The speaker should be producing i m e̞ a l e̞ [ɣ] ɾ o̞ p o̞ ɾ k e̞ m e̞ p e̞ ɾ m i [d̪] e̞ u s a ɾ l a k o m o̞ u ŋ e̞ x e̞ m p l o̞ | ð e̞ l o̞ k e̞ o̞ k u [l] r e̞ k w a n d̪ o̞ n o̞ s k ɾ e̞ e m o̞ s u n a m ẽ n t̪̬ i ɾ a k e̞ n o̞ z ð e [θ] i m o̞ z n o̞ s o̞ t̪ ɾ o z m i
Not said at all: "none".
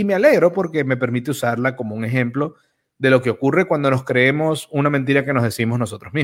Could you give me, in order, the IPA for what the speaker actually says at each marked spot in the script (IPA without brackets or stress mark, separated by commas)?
ɣ, t̪, none, s